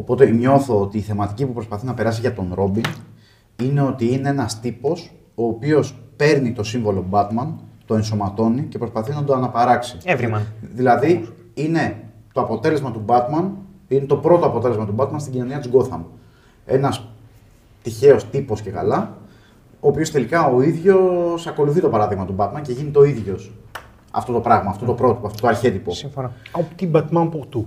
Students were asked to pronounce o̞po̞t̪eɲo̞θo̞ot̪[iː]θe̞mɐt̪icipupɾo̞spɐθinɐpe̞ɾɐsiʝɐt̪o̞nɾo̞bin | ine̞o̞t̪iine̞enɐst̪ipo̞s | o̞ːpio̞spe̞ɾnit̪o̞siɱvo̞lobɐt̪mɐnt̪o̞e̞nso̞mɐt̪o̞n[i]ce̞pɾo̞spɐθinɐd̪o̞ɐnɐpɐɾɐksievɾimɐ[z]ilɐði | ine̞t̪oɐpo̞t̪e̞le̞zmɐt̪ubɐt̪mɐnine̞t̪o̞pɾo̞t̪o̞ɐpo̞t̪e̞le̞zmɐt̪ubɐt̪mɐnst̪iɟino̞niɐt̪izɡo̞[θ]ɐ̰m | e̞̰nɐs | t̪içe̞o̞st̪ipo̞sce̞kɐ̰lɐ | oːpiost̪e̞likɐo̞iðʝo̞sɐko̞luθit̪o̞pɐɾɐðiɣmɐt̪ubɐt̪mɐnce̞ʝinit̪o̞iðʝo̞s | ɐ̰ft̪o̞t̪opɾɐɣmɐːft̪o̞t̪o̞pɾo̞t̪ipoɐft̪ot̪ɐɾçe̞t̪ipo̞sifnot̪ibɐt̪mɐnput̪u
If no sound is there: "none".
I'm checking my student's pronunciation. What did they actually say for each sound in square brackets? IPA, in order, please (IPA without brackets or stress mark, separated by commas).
iː, i, ð, θ